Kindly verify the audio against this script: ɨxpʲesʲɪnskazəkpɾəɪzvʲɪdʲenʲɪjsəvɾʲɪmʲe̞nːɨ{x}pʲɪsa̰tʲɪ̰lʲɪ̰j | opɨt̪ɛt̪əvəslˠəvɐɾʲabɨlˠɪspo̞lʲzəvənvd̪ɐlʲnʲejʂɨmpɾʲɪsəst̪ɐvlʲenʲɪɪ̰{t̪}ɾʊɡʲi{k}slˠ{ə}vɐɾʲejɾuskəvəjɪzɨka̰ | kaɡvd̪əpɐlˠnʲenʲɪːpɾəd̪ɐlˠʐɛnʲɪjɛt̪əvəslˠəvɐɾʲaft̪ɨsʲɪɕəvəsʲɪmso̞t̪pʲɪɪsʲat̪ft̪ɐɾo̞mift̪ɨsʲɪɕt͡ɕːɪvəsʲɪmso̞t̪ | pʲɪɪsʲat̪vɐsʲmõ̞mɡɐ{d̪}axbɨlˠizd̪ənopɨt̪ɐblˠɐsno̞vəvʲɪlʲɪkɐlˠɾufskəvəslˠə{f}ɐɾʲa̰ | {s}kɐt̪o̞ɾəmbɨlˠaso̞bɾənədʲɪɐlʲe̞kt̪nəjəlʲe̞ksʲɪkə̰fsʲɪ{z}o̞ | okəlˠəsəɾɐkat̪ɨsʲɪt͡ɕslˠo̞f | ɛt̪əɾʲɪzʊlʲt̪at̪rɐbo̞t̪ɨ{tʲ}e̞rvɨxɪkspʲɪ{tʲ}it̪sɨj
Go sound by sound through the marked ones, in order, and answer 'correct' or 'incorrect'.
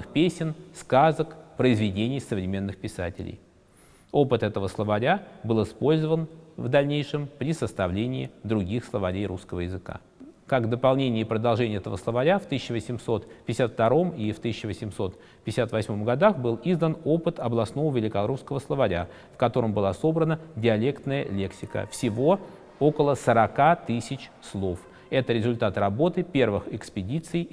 correct, incorrect: d̪, incorrect: x, correct, correct, incorrect: v, incorrect: f, incorrect: v, incorrect: pʲ, incorrect: dʲ

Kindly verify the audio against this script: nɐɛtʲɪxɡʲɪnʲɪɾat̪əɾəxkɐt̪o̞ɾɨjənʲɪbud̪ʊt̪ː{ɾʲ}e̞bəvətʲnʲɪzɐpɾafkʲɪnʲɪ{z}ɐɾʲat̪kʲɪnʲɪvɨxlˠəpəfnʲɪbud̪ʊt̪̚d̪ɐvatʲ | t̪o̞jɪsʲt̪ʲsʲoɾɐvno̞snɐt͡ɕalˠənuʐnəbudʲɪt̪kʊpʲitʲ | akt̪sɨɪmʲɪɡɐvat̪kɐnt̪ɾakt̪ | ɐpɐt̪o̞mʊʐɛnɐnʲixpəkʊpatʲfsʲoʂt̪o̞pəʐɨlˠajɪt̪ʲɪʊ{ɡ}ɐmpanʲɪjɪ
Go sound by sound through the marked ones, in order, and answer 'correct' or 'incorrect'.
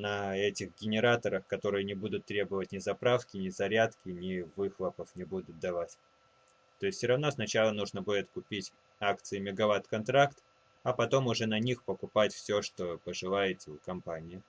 correct, correct, incorrect: k

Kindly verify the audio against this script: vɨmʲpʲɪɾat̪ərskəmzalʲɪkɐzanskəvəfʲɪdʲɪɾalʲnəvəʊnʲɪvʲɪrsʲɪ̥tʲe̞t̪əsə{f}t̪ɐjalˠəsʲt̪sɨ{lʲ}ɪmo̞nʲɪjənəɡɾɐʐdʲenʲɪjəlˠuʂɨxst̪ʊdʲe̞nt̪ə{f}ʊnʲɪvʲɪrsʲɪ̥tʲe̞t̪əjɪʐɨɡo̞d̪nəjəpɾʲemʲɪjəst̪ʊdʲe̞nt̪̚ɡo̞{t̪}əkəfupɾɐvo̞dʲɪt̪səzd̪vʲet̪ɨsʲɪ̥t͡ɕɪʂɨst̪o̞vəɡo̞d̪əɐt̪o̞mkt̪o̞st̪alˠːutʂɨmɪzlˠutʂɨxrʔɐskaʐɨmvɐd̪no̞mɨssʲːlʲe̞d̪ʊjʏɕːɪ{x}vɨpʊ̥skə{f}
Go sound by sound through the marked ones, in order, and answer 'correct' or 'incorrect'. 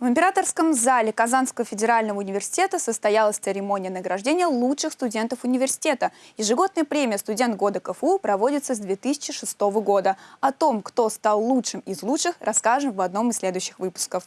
incorrect: s, incorrect: ɾʲ, correct, incorrect: d̪, correct, correct

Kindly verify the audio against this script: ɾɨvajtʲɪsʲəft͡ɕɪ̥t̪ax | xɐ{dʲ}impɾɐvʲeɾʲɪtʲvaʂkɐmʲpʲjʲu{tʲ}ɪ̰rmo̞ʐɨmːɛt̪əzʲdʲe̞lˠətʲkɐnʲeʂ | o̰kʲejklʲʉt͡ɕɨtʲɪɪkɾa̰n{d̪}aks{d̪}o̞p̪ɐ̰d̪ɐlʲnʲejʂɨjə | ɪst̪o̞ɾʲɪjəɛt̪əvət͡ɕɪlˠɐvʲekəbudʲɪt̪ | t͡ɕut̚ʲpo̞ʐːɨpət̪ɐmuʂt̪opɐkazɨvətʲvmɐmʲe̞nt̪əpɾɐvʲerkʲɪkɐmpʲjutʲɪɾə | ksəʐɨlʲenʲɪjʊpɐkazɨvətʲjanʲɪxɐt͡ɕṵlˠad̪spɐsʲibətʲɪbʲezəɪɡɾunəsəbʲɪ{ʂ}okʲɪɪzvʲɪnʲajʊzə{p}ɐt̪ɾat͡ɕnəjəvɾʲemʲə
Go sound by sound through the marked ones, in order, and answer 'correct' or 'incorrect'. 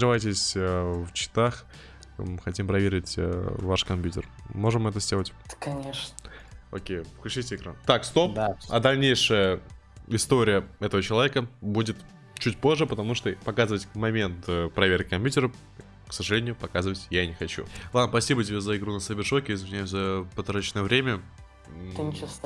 incorrect: tʲ, correct, incorrect: t̪, incorrect: t̪, correct, correct

